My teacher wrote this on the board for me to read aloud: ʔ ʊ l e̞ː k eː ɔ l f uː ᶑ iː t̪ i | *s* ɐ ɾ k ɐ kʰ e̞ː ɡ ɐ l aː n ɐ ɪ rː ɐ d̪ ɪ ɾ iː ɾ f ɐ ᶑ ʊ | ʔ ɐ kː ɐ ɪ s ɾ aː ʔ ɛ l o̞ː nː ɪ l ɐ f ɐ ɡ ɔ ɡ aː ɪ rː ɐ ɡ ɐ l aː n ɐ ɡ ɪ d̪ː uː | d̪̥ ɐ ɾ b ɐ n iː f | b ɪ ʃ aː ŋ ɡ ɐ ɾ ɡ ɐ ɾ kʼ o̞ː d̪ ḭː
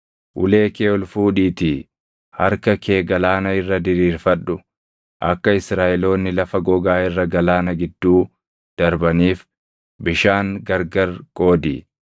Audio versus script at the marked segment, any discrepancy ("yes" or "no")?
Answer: yes